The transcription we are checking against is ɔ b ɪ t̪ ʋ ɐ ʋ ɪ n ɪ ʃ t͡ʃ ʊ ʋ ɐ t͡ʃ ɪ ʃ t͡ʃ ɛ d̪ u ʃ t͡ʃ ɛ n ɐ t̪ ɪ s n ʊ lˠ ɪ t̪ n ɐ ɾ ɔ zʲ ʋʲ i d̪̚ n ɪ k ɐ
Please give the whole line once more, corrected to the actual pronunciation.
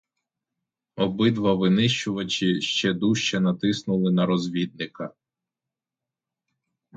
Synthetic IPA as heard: ɔ b ɪ d̪ ʋ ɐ ʋ ɪ n ɪ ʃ t͡ʃ ʊ ʋ ɐ t͡ʃ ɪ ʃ t͡ʃ ɛ d̪ u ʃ t͡ʃ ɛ n ɐ t̪ ɪ s n ʊ lˠ ɪ n ɐ ɾ ɔ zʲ ʋʲ i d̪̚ n ɪ k ɐ